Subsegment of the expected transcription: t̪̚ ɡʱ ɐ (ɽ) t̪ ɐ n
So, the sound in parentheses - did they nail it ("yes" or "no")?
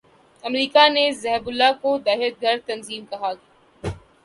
no